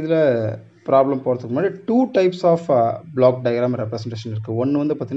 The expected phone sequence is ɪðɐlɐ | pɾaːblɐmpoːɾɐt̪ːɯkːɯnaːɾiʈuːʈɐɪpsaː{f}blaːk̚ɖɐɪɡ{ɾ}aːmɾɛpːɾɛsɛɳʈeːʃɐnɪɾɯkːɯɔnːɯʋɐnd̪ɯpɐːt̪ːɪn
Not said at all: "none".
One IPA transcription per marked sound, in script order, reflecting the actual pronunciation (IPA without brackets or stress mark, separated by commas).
f, ɾ